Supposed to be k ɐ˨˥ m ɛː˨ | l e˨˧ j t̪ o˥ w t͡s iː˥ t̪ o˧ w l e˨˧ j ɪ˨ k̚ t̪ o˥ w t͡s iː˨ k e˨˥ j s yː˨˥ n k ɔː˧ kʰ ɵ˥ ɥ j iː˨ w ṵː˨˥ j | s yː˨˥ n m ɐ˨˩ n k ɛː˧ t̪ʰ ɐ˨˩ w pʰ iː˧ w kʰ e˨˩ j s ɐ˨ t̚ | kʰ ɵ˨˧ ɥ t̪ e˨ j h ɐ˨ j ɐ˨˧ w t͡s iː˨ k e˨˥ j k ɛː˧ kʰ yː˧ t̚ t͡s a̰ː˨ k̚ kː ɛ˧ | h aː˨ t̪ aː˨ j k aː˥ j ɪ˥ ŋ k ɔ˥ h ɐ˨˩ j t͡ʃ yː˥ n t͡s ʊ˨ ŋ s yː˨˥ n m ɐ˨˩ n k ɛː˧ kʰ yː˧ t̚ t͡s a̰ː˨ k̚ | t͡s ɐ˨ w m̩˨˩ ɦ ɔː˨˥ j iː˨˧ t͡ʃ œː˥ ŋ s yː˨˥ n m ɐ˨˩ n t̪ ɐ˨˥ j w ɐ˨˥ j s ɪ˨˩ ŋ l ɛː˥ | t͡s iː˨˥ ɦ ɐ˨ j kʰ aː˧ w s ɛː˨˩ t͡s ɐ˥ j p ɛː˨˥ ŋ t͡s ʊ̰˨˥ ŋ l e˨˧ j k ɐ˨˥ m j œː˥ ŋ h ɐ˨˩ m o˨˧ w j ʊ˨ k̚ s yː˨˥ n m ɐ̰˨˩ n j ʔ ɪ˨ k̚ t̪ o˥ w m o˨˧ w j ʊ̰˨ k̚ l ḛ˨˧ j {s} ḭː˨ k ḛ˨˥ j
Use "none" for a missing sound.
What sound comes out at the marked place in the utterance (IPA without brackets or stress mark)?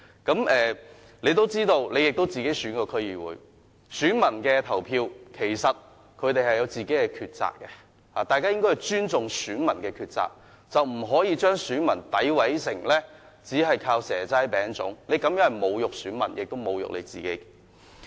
t͡s